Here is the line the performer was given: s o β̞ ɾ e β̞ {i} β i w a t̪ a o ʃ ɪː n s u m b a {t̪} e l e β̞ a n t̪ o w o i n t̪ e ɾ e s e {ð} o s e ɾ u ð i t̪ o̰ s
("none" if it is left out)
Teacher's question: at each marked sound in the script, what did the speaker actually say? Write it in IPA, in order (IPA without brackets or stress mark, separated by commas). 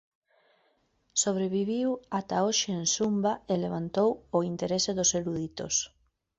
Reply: i, none, ð